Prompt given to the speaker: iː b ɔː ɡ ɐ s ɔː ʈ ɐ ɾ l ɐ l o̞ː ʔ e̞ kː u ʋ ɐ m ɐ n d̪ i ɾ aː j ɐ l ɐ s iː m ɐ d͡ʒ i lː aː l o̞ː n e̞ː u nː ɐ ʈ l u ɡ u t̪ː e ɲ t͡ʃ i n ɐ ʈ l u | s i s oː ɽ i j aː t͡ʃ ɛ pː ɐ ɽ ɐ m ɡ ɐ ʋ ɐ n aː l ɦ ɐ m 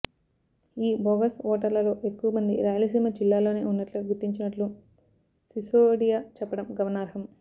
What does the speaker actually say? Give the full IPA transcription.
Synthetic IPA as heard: iː b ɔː ɡ ɐ s ɔː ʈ ɐ ɾ l ɐ l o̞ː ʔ e̞ kː u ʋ ɐ m ɐ n d̪ i ɾ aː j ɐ l ɐ s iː m ɐ d͡ʒ i lː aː l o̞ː n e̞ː u nː ɐ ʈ l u ɡ u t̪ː i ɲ t͡ʃ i n ɐ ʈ l u | s i s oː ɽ i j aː t͡ʃ ɛ pː ɐ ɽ ɐ m ɡ ɐ ʋ ɐ n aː ɾ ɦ ɐ m